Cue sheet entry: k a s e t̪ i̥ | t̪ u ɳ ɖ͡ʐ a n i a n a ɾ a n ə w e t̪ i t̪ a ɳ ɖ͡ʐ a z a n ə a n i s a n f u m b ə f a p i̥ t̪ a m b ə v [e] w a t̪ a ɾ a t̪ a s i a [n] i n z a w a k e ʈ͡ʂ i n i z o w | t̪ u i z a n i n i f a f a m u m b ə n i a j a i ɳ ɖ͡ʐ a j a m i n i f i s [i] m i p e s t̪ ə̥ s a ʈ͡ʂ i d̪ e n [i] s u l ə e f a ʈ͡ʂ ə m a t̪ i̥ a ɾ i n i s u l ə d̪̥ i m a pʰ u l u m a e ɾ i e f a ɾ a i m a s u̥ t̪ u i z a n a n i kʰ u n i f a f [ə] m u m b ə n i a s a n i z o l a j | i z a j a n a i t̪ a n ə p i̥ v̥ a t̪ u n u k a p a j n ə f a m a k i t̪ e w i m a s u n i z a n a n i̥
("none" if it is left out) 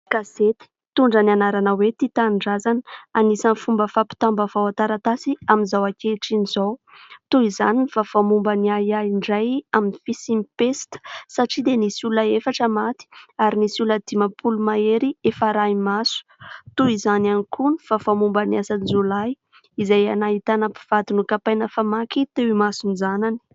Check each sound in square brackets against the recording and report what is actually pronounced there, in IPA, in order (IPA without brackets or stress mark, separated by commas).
a, m, i, i, a